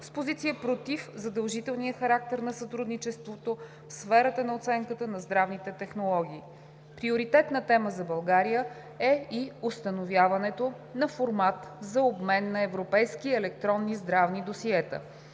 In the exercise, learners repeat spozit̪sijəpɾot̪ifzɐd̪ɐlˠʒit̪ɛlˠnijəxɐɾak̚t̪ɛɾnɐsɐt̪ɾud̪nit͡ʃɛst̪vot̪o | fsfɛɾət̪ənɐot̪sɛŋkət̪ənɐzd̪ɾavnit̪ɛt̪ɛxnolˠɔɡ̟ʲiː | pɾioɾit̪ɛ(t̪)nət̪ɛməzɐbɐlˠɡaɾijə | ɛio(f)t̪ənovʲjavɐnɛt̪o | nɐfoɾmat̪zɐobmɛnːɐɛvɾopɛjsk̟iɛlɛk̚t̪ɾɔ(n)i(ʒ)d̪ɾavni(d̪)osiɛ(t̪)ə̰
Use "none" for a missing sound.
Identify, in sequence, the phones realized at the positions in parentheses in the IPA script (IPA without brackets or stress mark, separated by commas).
t̪, s, nː, z, d̪, t̪